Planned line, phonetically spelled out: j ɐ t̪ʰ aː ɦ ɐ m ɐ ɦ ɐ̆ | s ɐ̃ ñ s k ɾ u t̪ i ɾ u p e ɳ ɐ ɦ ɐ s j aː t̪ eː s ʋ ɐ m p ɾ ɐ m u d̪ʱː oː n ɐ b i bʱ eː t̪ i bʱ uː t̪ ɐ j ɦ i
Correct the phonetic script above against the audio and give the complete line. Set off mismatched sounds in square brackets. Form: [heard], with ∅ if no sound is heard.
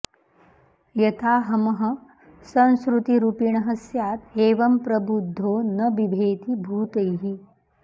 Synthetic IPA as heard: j ɐ t̪ʰ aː ɦ ɐ m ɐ ɦ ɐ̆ | s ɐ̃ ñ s k ɾ u t̪ i ɾ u p [i] ɳ ɐ ɦ ɐ s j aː t̪ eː [∅] ʋ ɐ m p ɾ ɐ [b] u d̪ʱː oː n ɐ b i bʱ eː t̪ i bʱ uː t̪ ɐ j ɦ i